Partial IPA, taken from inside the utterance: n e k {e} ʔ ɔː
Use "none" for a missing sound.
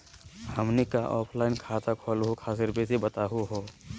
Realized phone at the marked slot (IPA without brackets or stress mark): a